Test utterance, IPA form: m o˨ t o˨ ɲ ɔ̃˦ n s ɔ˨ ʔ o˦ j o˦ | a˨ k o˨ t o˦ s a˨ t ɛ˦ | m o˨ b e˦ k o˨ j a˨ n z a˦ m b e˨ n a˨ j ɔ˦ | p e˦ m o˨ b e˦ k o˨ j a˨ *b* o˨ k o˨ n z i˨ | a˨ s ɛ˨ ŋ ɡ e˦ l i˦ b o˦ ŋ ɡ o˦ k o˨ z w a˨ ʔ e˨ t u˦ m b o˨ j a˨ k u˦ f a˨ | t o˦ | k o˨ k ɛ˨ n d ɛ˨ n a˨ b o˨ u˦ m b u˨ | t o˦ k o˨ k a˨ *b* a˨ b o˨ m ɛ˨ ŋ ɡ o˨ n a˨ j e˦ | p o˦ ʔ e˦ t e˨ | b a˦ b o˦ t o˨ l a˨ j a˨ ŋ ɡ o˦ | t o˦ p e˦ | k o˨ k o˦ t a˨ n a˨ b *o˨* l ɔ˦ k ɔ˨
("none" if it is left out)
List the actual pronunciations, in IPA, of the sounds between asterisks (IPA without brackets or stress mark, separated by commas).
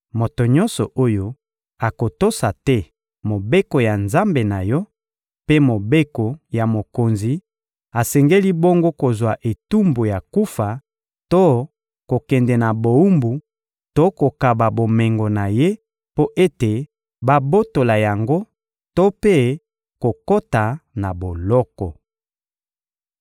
m, b, o˨